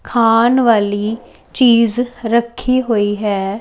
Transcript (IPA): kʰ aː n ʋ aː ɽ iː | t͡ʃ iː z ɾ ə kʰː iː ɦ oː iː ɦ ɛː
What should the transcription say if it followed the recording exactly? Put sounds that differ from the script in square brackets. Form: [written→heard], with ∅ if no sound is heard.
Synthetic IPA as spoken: kʰ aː n ʋ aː [ɽ→l] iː | t͡ʃ iː z ɾ ə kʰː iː ɦ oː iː ɦ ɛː